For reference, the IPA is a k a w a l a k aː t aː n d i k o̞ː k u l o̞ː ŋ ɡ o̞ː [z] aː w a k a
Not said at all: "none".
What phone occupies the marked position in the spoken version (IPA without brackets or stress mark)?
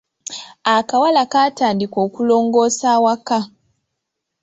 s